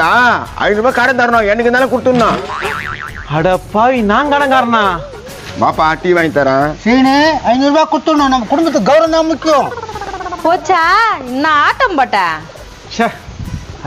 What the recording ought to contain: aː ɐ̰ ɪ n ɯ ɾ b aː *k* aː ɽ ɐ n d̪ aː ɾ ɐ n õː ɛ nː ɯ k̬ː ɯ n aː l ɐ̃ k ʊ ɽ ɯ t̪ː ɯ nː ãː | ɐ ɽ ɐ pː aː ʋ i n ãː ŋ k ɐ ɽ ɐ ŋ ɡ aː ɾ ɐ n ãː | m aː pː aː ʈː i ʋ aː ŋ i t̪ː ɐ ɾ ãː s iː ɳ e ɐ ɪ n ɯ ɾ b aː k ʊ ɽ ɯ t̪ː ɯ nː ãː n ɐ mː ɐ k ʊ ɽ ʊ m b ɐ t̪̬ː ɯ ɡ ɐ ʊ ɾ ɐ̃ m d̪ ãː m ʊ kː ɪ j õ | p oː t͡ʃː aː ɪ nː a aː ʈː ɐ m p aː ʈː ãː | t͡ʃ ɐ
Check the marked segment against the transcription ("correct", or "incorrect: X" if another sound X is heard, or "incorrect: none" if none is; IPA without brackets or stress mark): correct